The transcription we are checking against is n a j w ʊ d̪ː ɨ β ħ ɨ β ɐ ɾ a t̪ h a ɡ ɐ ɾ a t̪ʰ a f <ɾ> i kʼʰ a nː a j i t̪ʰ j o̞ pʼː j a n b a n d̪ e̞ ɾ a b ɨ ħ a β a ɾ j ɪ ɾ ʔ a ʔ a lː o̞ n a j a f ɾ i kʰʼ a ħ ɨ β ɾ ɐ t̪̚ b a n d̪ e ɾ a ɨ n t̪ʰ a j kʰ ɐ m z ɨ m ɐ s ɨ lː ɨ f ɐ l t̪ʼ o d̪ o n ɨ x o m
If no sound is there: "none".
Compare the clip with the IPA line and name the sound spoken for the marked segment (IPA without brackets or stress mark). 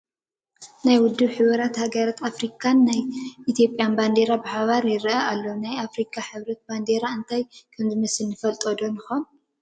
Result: ɾ